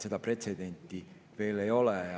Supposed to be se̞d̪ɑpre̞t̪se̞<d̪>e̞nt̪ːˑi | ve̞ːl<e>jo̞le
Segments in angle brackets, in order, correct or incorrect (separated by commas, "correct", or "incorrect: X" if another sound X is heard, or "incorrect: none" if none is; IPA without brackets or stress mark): correct, correct